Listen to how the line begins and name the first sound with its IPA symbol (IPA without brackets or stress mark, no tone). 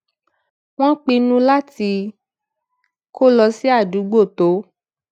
w̃